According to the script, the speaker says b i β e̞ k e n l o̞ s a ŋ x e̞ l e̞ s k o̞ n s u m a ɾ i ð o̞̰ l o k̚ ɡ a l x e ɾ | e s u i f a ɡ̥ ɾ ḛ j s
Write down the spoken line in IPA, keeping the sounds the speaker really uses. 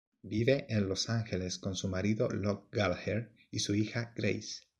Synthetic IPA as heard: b i β e̞ ʔ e n l o̞ s a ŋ x e̞ l e̞ s k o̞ n s u m a ɾ i ð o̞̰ l o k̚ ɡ a l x e ɾ | i s u i x a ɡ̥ ɾ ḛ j s